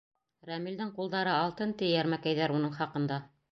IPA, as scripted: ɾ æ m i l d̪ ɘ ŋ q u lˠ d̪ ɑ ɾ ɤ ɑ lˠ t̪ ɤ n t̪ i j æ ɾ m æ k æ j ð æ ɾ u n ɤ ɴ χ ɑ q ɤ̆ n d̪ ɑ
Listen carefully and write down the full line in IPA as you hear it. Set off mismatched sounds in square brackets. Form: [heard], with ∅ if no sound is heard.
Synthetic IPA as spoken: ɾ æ m i l d̪ ɘ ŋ q u lˠ d̪ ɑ ɾ ɤ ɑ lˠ t̪ ɤ n t̪ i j æ ɾ m æ k æ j ð æ ɾ u n ɤ ɴ χ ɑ q ɤ̆ n d̪ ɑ